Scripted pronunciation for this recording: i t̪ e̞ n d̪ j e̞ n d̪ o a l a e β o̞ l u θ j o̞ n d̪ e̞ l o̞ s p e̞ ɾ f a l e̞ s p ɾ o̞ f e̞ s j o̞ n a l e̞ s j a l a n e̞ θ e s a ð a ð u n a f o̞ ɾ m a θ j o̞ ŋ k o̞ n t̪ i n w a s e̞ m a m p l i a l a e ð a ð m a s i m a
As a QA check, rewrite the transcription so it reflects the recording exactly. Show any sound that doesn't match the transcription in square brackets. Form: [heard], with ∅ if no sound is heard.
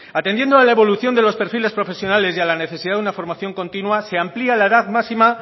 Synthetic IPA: [a] t̪ e̞ n d̪ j e̞ n d̪ o a l a e β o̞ l u θ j o̞ n d̪ e̞ l o̞ s p e̞ ɾ f [i] l e̞ s p ɾ o̞ f e̞ s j o̞ n a l e̞ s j a l a n e̞ θ e s [i] ð a ð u n a f o̞ ɾ m a θ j o̞ ŋ k o̞ n t̪ i n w a s e̞ [∅] a m p l i a l a e ð a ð m a s i m a